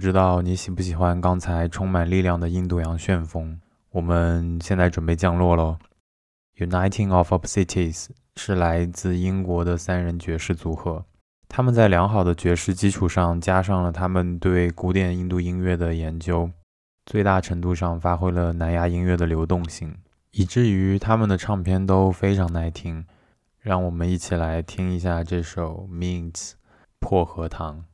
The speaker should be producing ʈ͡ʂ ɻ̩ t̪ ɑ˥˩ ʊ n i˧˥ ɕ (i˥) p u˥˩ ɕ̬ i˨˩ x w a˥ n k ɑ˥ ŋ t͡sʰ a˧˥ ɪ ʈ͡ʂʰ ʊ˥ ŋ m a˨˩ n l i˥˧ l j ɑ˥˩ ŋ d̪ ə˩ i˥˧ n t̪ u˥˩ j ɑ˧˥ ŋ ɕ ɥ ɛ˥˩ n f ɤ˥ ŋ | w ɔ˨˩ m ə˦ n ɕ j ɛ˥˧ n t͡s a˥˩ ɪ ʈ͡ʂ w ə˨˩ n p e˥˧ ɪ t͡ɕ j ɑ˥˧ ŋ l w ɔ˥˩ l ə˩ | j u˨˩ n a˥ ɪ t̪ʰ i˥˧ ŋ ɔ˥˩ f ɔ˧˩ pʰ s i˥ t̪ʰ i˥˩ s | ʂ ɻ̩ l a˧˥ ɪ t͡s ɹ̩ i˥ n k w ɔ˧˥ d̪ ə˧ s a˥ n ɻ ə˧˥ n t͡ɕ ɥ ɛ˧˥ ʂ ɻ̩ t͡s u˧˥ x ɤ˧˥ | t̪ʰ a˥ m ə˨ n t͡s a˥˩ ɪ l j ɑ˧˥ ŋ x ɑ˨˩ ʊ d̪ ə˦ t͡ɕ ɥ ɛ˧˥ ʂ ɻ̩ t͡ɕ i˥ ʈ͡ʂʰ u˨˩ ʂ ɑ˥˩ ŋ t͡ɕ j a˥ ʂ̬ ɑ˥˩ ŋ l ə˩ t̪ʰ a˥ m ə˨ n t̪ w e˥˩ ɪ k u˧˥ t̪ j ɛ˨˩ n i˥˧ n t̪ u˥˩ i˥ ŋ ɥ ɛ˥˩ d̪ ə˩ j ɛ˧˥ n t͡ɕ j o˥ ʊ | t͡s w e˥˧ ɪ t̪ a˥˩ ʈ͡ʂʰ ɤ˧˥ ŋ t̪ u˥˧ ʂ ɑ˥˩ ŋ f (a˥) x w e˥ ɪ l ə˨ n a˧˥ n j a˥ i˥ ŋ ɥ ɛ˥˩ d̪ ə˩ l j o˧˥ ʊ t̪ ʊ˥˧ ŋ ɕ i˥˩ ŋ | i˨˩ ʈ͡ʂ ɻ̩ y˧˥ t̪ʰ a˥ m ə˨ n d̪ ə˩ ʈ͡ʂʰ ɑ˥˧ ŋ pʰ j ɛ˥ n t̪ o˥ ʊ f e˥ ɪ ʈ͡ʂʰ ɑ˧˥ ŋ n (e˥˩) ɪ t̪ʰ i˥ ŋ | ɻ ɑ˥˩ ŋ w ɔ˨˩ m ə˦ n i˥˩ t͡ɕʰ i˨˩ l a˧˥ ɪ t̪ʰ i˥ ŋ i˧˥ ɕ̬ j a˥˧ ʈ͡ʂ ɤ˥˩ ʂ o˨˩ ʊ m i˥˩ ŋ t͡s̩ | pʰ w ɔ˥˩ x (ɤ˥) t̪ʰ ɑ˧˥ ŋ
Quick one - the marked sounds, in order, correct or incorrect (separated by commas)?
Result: incorrect, correct, incorrect, incorrect